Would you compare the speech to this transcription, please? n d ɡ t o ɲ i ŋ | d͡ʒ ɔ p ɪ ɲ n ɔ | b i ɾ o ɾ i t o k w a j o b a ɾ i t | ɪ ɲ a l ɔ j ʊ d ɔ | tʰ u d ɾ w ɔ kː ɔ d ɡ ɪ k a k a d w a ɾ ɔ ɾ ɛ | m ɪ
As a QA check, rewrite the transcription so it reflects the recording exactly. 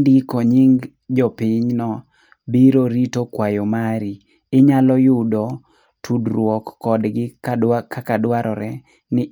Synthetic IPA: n d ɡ k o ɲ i ŋ | d͡ʒ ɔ p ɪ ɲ n ɔ | b i ɾ o ɾ i t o k w a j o m a ɾ i | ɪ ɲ a l ɔ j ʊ d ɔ | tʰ u d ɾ w ɔ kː ɔ d ɡ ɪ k a k a d w a ɾ ɔ ɾ ɛ | n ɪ